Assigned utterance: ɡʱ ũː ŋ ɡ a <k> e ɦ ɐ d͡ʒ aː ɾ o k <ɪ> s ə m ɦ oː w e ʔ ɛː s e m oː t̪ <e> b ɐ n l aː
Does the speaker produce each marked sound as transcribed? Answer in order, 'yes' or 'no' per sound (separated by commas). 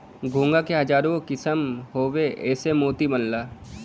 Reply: yes, yes, no